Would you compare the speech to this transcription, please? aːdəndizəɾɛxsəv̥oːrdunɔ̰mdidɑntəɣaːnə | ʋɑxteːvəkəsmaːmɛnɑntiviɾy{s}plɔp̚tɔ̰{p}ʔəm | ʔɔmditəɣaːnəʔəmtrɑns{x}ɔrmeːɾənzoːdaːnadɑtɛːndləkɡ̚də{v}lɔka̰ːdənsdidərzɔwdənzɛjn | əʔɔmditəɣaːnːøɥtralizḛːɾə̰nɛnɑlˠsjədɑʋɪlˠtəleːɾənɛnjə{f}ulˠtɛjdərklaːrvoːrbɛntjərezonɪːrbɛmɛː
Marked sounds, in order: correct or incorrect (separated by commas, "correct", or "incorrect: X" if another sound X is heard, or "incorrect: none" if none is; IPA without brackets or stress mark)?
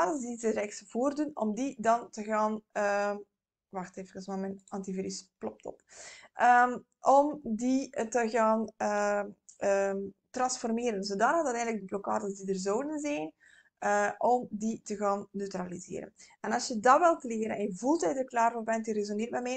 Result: correct, correct, incorrect: f, incorrect: b, incorrect: v